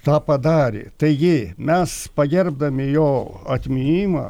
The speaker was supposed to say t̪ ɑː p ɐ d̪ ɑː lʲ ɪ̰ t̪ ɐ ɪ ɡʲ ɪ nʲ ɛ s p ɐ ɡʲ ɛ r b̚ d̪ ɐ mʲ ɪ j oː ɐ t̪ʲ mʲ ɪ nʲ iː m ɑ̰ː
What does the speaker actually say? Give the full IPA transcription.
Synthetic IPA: t̪ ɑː p ɐ d̪ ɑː ɾʲ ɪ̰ t̪ ɐ ɪ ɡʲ ɪ mʲ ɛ s p ɐ ɡʲ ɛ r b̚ d̪ ɐ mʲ ɪ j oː ɐ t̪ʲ mʲ ɪ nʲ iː m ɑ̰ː